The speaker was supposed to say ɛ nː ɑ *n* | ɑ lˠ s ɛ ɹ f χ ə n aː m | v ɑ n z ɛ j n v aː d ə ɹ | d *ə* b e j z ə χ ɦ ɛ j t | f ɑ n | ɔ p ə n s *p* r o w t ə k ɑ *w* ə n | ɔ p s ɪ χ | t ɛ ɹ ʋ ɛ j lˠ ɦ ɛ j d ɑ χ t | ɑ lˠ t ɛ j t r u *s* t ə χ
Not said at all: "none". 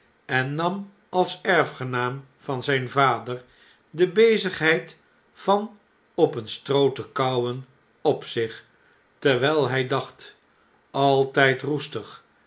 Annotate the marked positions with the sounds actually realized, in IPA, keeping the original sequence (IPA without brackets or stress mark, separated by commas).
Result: m, ə, t, w, s